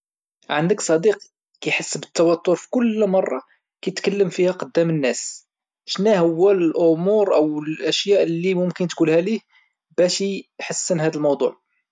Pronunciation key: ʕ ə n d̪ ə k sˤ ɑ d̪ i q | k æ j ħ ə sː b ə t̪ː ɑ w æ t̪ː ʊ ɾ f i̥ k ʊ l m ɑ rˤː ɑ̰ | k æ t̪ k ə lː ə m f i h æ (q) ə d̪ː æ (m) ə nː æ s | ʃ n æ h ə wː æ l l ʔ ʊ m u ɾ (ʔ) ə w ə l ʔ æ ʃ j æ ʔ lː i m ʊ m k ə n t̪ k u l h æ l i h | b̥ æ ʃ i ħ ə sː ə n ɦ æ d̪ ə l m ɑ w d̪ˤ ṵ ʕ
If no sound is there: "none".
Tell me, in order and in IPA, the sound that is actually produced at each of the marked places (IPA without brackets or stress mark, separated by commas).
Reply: q, m, ʔ